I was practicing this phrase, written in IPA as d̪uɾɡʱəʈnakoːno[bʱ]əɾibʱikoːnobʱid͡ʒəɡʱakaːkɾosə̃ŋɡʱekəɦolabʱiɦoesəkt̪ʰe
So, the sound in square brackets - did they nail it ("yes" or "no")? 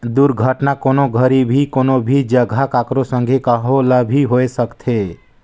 no